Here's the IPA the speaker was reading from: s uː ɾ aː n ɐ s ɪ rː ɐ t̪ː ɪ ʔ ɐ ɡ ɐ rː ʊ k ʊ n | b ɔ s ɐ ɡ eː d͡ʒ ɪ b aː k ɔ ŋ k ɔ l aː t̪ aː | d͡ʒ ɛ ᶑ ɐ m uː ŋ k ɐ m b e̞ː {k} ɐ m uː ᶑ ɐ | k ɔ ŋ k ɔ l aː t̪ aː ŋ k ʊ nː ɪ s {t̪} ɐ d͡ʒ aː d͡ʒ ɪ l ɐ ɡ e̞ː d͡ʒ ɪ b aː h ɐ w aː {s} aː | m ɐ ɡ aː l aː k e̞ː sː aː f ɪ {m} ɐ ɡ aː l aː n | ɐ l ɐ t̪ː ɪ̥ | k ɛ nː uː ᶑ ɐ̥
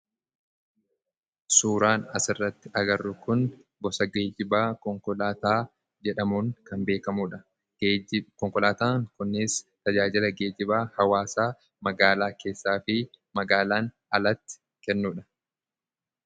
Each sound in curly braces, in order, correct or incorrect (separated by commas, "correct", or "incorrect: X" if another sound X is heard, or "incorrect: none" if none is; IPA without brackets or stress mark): correct, correct, correct, correct